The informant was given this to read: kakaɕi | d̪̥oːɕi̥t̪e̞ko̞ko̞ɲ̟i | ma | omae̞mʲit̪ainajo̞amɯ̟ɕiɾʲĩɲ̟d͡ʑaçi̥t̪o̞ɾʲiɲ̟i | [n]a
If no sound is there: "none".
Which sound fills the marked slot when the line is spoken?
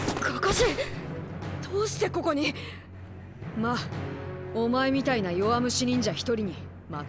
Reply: m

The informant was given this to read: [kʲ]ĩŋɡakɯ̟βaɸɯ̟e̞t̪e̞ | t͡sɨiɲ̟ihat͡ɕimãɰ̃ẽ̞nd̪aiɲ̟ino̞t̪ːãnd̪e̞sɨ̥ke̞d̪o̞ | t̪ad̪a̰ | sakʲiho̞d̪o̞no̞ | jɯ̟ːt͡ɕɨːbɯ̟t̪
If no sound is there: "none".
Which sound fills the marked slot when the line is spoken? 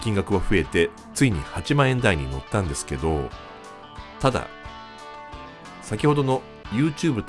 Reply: kʲ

